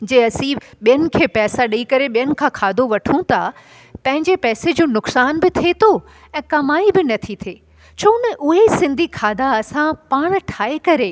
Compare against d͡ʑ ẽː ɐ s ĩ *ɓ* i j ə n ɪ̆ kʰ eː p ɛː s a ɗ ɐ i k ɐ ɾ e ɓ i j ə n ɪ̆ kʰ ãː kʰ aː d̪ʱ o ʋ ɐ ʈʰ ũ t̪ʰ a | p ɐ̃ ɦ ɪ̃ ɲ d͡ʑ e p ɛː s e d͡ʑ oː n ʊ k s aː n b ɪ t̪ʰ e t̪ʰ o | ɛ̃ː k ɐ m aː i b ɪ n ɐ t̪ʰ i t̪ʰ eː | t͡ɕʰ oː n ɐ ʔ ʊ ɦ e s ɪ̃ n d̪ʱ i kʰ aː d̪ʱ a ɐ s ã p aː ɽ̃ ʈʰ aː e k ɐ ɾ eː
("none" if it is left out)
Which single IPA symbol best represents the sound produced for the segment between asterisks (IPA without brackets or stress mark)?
ɓ